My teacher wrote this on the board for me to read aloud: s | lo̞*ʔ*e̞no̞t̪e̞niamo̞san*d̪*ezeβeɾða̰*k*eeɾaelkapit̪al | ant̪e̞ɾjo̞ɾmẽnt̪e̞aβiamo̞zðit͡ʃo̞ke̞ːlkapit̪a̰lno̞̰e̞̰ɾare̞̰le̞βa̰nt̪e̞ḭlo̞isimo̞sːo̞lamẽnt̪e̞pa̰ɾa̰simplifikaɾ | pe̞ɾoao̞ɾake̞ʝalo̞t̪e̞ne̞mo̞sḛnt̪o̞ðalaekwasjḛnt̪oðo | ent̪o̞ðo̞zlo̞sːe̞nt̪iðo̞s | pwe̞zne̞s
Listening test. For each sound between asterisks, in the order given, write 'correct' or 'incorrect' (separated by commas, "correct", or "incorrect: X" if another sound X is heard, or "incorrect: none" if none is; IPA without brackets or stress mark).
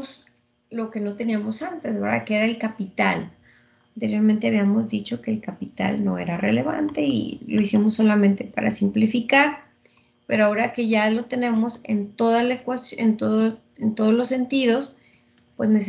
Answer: incorrect: k, incorrect: t̪, correct